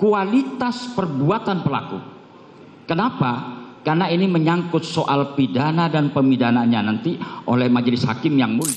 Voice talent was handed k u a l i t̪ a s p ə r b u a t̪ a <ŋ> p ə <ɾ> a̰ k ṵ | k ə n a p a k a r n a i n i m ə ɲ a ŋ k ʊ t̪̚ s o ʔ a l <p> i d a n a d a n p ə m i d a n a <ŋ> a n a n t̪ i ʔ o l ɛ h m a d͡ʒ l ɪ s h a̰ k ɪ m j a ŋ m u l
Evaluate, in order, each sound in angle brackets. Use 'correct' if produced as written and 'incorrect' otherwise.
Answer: incorrect, incorrect, correct, incorrect

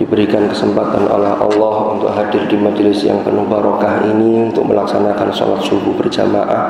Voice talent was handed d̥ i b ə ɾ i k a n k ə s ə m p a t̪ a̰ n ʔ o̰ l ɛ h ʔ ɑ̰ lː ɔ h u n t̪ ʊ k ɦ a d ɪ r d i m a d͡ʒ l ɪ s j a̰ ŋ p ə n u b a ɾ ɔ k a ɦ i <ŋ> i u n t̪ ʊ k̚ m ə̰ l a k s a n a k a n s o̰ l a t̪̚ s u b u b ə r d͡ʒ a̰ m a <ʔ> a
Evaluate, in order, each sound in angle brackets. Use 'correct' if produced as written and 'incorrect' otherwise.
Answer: incorrect, correct

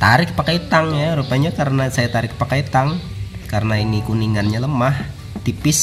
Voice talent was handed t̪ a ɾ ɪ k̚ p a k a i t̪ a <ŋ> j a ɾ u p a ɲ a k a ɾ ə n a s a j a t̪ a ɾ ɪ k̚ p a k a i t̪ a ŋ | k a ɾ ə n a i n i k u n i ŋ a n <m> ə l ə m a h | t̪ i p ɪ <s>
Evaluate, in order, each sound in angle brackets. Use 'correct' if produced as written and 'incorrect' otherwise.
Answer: correct, incorrect, correct

